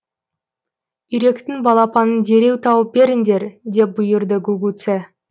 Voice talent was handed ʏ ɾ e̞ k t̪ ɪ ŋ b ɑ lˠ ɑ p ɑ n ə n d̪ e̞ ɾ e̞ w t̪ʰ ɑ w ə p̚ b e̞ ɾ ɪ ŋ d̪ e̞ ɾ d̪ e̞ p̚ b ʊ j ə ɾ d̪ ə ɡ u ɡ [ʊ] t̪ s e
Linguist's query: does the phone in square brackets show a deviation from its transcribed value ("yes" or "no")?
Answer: yes